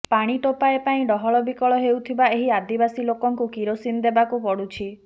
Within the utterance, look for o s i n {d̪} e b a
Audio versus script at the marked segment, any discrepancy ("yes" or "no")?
no